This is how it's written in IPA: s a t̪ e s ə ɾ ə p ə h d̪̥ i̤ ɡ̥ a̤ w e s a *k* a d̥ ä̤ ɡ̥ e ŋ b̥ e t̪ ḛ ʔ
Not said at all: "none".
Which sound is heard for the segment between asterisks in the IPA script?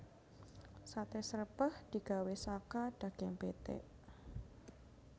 k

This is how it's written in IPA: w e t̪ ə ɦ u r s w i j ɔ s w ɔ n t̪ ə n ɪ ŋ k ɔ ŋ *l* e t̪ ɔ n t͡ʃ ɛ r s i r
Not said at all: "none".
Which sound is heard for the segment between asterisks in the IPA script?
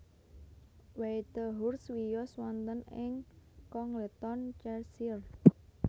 l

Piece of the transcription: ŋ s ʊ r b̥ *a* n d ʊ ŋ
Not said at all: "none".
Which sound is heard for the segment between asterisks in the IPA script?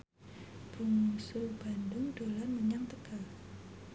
a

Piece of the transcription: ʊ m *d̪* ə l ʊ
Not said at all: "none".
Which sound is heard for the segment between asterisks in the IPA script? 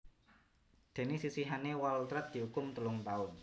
t̪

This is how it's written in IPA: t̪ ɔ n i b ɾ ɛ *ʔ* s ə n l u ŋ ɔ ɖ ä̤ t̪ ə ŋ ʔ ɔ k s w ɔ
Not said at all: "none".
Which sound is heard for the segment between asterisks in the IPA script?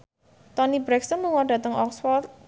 k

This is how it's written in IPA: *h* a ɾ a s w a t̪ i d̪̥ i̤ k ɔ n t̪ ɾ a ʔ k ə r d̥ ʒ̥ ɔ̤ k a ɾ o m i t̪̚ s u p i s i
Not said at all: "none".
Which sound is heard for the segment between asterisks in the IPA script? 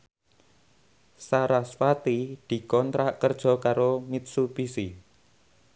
s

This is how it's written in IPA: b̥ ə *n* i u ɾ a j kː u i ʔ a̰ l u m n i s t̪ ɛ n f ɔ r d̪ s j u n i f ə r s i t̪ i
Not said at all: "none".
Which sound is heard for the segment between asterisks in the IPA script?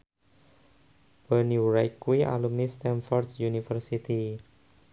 n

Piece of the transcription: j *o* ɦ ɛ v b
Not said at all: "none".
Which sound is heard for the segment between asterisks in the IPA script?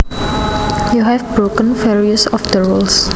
u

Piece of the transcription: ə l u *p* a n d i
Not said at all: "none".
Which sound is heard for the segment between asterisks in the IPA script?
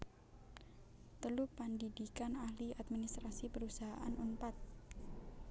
p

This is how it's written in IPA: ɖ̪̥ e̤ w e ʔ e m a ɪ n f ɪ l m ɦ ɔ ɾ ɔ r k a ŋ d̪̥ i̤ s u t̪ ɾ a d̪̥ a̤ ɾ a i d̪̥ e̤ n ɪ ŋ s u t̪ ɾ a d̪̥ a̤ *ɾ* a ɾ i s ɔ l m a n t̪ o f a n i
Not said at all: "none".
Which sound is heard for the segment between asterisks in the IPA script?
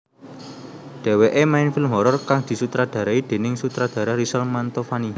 ɾ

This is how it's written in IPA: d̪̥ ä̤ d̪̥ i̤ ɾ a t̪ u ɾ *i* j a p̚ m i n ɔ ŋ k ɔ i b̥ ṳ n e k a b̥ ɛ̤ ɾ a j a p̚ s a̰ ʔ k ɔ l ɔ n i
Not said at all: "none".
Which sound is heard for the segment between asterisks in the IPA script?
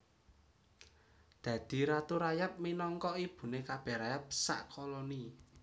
a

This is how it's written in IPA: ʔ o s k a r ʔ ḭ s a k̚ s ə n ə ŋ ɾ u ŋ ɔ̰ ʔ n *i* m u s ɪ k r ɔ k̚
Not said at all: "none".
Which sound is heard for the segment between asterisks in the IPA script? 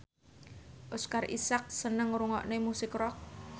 e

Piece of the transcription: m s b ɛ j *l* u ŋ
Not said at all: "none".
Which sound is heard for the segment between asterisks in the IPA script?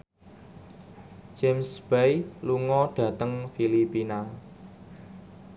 l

